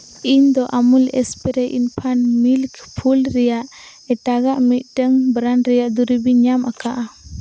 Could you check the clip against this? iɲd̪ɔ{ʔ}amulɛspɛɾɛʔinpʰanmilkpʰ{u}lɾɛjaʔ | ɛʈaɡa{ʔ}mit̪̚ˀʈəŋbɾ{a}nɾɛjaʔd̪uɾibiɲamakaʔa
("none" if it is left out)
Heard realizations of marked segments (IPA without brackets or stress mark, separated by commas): ʔ, u, ʔ, a